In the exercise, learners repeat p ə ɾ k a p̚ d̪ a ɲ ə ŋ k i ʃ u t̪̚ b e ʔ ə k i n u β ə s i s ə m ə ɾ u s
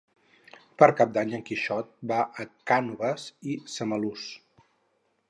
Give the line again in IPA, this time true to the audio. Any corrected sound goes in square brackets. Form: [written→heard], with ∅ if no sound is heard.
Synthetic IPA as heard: p ə ɾ k a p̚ d̪ a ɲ ə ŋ k i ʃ [u→ɔ] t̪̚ b [e→a] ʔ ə k [i→a] n u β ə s i s ə m ə [ɾ→l] u s